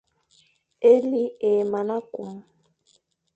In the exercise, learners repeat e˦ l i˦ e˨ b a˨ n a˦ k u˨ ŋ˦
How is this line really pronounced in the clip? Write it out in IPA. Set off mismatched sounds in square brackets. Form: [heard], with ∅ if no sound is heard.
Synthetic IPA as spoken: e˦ l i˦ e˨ [m] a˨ n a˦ k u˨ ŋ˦